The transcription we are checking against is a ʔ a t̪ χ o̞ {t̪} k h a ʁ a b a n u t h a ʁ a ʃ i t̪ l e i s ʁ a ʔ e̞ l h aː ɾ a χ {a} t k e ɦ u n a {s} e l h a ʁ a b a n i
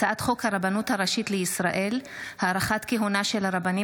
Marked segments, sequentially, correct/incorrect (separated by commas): incorrect, correct, incorrect